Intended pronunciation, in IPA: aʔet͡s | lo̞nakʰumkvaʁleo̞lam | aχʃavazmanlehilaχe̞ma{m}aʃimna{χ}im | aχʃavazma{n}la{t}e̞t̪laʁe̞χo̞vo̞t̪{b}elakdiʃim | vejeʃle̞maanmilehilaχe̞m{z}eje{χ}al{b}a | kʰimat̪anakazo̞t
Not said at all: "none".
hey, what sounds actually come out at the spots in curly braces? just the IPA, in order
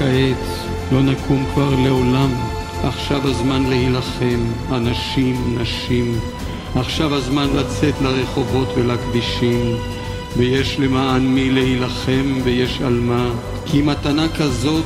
n, ʃ, n, t͡s, v, v, ʃ, m

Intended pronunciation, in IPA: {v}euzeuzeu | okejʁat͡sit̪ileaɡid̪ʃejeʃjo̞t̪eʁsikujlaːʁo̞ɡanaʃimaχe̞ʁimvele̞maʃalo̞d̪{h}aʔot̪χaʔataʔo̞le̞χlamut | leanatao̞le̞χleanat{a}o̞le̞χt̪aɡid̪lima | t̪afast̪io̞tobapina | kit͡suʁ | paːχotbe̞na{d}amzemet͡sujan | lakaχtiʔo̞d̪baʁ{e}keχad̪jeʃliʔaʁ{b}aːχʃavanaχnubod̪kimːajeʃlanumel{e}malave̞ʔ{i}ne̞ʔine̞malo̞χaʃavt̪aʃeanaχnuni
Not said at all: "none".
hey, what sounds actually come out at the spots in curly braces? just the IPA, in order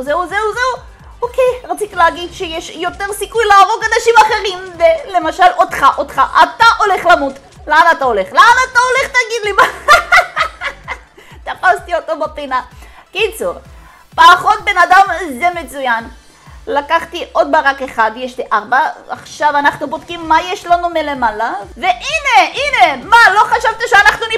z, χ, a, d, a, b, e, i

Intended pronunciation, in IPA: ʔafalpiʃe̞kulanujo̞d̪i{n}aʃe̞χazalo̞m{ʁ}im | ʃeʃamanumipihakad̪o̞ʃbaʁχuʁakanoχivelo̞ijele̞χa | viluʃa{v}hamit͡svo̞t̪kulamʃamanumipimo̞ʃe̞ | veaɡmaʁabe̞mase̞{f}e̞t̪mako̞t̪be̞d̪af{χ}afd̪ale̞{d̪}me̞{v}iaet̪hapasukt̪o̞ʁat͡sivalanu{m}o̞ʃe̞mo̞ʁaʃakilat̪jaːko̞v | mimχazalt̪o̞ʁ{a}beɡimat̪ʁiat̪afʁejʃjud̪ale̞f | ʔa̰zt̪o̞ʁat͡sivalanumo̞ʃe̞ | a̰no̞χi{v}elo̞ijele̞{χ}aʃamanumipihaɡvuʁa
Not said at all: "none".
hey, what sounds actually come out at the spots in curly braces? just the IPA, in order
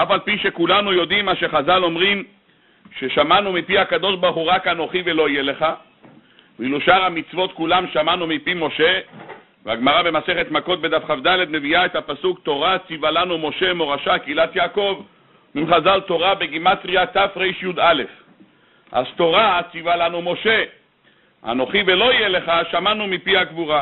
m, ʁ, ʁ, χ, χ, d̪, v, m, a, v, χ

